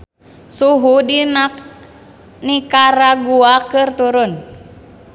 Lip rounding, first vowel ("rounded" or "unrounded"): rounded